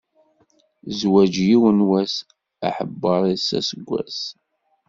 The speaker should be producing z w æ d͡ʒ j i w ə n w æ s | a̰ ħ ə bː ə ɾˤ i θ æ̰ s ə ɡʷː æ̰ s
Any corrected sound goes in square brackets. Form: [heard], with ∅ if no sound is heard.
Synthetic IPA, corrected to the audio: z w æ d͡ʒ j i w ə n w æ s | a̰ ħ ə bː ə ɾˤ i [s] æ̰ s ə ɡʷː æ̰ s